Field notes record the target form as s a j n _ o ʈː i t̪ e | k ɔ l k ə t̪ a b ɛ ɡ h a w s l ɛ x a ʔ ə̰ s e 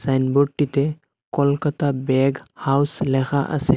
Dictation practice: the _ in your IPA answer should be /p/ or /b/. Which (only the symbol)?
b